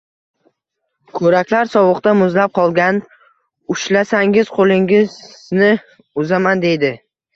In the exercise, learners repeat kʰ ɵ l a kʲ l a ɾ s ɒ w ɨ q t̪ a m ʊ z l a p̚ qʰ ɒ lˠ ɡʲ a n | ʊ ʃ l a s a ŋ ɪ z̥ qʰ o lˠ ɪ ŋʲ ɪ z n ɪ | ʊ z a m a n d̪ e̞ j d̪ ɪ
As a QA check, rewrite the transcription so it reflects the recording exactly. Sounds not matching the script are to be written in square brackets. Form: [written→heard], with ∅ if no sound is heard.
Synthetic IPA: kʰ ɵ [l→ɾ] a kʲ l a ɾ s ɒ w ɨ q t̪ a m ʊ z l a p̚ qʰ ɒ lˠ ɡʲ a n | ʊ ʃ l a s a ŋ ɪ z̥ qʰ o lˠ ɪ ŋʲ ɪ z n ɪ | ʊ z a m a n d̪ e̞ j d̪ ɪ